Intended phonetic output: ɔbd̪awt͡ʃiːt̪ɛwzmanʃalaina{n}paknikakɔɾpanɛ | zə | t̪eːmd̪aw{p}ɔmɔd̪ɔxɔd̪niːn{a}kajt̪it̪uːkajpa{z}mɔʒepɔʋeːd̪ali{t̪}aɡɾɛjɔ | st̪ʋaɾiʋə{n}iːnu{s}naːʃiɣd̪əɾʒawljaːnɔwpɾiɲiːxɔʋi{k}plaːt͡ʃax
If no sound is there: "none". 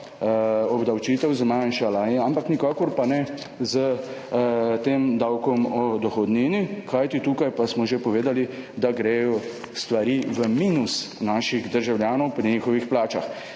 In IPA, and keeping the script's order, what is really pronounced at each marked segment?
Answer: m, k, i, s, d̪, m, s, x

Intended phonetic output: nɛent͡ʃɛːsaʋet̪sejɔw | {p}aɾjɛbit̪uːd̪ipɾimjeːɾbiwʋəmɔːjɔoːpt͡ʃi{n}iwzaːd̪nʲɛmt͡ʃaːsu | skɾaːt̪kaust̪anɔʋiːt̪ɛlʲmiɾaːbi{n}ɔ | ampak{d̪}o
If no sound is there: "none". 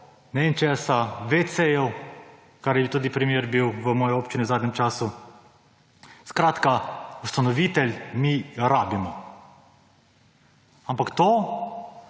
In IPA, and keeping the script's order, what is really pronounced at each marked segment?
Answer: k, n, m, t̪

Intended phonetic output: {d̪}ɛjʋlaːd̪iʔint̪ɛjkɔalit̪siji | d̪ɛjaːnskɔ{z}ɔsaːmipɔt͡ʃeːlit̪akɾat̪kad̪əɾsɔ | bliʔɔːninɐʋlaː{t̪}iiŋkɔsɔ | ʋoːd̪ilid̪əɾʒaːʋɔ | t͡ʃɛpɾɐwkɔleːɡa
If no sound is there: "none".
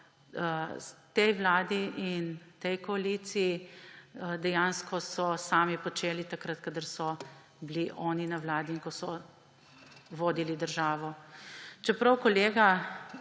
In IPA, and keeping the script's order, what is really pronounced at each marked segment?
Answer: t̪, s, d̪

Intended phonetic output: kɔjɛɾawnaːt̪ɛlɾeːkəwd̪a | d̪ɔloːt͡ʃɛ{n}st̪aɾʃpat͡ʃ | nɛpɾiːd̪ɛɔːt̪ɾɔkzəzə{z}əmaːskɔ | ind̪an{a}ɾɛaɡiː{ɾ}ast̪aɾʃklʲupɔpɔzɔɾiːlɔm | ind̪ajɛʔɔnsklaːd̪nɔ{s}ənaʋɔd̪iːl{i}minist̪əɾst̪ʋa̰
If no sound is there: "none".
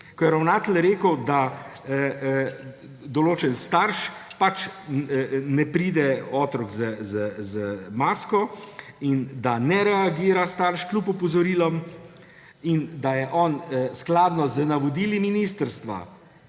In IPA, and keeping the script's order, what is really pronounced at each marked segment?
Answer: n, z, ɛ, ɾ, z, i

